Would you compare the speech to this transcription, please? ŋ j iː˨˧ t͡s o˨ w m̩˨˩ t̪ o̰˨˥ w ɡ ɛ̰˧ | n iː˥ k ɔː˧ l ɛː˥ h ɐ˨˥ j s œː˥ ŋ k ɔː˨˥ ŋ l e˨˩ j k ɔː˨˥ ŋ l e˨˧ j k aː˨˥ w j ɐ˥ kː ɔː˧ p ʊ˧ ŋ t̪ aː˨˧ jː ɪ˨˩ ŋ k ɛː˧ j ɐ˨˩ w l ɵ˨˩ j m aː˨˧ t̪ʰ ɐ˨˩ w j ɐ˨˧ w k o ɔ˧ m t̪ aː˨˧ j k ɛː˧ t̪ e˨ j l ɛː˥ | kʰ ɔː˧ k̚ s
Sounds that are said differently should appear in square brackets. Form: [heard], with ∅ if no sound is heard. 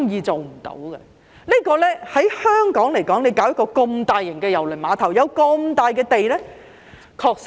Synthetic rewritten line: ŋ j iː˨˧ t͡s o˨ w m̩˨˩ t̪ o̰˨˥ w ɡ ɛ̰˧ | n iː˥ k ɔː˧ l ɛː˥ h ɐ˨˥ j [h] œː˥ ŋ k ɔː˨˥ ŋ l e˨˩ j k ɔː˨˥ ŋ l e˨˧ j k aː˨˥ w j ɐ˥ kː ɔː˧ [k] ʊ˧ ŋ t̪ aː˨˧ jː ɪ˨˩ ŋ k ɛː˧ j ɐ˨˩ w l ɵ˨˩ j m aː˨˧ t̪ʰ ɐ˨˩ w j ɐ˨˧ w k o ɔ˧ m t̪ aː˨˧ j k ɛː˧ t̪ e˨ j l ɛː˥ | kʰ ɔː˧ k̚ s